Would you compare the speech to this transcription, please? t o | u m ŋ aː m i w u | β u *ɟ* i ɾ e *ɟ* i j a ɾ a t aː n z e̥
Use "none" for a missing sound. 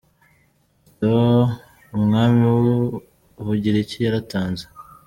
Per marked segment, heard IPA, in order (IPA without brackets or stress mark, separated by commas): ɟ, c